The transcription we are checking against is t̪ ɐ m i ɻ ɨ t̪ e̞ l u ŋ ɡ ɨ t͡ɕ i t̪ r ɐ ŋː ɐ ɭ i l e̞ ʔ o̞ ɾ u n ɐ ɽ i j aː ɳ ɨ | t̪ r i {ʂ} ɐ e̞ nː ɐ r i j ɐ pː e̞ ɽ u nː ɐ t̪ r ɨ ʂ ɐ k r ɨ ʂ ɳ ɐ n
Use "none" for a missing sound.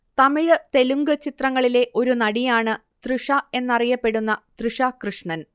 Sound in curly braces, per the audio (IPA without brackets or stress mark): ʂ